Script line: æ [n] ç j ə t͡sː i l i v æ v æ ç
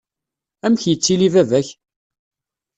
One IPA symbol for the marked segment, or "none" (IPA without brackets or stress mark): m